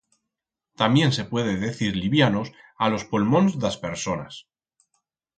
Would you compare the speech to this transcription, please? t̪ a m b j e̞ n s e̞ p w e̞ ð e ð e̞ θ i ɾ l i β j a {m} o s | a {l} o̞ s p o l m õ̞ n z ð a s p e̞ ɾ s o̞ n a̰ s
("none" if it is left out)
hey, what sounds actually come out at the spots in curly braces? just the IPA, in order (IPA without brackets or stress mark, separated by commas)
n, l